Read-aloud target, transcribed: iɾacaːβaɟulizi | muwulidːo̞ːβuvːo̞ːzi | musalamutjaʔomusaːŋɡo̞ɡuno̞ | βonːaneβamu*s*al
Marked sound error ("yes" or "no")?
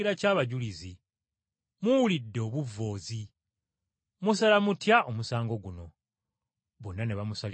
no